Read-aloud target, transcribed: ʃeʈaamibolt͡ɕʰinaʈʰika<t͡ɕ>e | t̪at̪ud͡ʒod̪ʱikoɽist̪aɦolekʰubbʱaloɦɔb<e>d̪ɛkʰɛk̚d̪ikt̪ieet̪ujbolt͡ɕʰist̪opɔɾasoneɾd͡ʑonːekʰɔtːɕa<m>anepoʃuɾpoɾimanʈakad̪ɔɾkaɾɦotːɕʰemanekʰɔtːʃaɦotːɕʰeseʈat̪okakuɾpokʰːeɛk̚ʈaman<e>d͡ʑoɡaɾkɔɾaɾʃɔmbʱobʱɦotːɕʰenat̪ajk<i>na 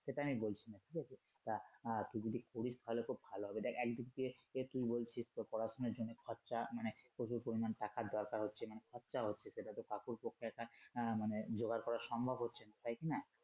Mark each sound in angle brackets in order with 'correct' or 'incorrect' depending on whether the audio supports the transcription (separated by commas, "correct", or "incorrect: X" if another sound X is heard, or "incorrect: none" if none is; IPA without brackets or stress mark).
incorrect: t͡ɕʰ, correct, correct, correct, correct